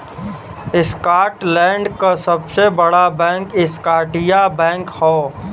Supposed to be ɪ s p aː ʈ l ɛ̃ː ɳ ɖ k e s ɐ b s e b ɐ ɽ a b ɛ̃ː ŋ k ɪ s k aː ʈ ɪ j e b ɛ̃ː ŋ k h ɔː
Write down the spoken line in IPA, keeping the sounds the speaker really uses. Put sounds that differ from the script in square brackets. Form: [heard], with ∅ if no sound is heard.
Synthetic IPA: ɪ s [k] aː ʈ l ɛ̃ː ɳ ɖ k [a] s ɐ b s e b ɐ ɽ a b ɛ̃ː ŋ k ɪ s k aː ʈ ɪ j [a] b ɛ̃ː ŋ k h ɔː